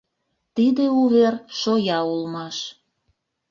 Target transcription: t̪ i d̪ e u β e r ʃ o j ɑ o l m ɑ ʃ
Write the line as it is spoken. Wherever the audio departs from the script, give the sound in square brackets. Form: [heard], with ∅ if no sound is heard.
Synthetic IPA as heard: t̪ i d̪ e u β e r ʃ o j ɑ [u] l m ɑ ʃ